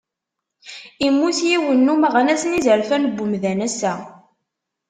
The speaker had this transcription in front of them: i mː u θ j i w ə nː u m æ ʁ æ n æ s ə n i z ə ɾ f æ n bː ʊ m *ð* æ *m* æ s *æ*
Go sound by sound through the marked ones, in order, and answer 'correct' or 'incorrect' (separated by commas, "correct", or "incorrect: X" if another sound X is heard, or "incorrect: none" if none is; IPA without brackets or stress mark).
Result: correct, incorrect: n, correct